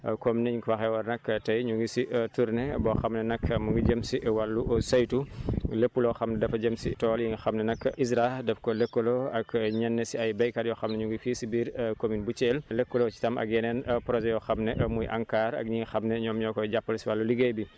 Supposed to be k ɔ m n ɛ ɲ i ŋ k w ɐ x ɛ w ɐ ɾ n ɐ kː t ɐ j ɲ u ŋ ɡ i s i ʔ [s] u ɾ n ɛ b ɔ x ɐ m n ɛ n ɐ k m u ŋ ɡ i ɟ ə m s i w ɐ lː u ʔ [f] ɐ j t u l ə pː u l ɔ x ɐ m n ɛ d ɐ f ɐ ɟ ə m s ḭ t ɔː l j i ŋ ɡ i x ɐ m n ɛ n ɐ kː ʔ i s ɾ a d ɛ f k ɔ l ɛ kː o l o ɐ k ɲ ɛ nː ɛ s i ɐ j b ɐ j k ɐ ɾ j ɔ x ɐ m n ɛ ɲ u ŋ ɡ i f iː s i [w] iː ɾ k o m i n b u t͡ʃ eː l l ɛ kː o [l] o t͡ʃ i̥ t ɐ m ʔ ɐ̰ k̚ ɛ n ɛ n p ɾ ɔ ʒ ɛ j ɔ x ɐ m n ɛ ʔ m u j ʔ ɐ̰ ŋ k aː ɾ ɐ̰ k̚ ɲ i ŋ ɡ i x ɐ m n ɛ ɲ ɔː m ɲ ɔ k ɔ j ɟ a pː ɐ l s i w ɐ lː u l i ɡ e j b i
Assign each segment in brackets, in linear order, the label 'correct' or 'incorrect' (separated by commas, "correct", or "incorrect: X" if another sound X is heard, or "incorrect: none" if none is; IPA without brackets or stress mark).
incorrect: t, incorrect: s, incorrect: b, correct